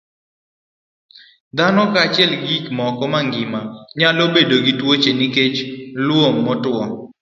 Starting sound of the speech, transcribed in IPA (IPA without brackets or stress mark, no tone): d̪